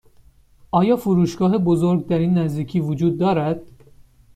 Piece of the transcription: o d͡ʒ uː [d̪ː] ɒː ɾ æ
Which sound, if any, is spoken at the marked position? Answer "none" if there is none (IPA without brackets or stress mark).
d̪ː